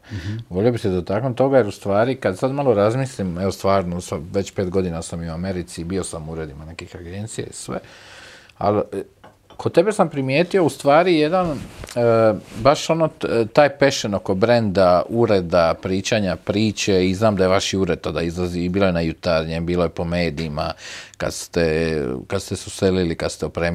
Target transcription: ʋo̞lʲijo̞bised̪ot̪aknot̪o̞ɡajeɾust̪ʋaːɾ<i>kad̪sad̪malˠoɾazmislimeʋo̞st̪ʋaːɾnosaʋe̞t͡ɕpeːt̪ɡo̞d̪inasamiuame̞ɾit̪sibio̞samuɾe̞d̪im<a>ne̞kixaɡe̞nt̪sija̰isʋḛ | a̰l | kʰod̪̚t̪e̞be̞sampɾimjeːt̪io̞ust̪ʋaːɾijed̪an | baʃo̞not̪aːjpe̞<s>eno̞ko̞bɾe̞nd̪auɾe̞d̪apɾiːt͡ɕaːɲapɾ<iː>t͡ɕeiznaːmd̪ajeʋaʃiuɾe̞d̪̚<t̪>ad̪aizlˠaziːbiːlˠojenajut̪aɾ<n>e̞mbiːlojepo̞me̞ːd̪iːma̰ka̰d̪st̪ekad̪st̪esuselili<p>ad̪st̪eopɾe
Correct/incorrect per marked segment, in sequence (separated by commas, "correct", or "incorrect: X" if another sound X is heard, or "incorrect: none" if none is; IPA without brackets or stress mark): correct, correct, incorrect: ʃ, correct, correct, incorrect: ɲ, incorrect: k